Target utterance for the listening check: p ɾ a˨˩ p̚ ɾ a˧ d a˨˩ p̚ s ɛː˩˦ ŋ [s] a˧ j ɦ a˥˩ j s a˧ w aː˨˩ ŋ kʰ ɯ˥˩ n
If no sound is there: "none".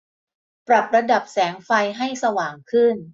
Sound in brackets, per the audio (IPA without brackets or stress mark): f